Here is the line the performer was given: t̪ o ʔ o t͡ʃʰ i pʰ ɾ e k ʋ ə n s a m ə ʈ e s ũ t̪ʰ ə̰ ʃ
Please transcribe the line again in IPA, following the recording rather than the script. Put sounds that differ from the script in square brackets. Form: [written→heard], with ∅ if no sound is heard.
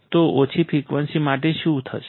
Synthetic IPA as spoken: t̪ o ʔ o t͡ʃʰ i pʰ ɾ [e→i] k ʋ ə n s [a→i] m [ə→a] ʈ e [s→ʃ] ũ t̪ʰ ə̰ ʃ